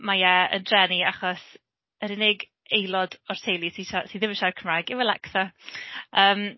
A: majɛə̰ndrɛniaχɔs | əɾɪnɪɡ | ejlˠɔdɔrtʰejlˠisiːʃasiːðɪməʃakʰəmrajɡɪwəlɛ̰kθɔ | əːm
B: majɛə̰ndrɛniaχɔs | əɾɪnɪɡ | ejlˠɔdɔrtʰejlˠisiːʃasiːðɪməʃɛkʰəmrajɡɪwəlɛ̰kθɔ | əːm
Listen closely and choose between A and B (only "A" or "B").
A